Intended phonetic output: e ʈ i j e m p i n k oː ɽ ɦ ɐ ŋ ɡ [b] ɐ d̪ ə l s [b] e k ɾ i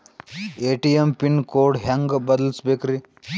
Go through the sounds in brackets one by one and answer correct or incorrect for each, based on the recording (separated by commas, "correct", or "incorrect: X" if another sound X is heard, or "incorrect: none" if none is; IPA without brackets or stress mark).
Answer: correct, correct